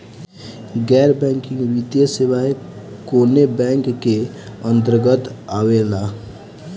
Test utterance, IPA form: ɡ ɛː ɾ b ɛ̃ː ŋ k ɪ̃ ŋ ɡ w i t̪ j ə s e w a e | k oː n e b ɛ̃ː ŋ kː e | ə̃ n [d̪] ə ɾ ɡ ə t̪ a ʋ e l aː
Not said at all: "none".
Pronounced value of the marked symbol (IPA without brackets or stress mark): t̪